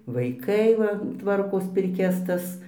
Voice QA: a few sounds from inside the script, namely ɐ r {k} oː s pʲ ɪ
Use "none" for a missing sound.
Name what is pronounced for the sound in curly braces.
k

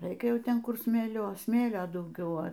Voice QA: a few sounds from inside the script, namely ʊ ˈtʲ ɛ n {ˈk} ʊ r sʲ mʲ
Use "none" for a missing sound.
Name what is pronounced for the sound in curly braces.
k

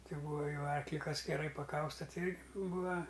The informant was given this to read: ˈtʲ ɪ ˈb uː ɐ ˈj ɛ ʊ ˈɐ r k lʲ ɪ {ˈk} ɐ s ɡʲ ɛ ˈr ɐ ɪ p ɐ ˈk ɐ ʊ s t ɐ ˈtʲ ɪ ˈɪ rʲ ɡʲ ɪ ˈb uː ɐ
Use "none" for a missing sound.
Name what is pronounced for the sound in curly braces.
k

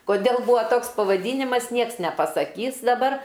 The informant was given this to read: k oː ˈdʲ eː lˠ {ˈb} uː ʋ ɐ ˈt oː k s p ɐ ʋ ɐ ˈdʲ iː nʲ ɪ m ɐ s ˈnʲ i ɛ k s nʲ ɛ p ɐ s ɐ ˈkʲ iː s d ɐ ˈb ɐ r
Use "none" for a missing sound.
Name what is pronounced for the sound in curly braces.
b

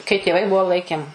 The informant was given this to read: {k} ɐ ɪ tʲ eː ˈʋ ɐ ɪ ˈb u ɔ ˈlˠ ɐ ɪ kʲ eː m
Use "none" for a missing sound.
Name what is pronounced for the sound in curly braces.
k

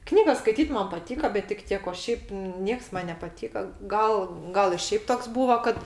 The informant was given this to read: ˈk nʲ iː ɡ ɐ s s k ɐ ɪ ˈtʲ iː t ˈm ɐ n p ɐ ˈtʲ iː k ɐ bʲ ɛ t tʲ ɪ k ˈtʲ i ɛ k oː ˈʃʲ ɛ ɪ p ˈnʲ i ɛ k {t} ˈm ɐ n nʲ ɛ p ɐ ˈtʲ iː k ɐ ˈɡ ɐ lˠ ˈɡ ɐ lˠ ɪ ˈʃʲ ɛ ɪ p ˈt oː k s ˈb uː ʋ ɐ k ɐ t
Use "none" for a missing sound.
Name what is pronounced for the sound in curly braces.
s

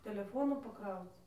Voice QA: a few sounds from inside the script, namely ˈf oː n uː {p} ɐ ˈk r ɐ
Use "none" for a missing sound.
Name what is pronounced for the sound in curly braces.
p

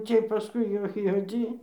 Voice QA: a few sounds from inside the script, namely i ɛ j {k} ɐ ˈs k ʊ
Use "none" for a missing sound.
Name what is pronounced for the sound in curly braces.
p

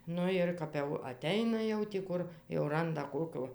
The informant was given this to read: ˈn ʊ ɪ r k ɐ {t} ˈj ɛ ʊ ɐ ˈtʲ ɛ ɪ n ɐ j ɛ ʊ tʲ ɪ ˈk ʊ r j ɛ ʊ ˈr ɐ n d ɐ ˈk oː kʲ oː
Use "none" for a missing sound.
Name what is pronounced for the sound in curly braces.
p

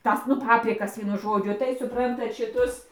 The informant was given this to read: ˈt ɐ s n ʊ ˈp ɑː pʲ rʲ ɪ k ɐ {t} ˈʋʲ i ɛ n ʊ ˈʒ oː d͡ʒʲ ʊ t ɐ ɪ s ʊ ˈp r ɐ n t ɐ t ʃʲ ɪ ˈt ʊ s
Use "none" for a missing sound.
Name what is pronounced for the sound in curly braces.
s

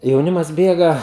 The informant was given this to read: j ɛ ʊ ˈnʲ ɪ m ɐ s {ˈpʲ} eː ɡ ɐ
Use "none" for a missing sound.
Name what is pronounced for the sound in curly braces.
bʲ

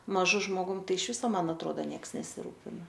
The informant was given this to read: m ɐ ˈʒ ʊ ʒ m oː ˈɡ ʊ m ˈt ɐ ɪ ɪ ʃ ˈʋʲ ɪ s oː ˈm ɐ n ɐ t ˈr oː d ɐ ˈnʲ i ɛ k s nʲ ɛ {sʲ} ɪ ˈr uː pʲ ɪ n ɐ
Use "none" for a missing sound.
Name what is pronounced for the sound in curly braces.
sʲ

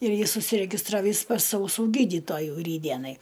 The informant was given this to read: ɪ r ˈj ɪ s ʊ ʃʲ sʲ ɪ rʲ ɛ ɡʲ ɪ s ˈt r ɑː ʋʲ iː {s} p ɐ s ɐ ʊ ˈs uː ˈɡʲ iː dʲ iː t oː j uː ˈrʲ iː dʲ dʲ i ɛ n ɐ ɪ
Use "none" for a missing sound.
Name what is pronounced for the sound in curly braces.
s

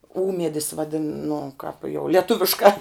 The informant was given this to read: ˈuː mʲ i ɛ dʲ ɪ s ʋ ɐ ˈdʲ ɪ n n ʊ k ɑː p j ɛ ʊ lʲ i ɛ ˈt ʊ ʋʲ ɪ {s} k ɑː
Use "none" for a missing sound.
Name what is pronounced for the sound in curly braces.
ʃ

